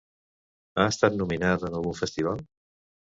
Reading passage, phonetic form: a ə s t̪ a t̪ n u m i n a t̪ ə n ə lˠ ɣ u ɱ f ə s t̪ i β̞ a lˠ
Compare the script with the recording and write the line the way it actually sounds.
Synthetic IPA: a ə s t̪ a t̪ n u m i n a t̪ ə n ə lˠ ɣ u ɱ f ə s t̪ i β̞ a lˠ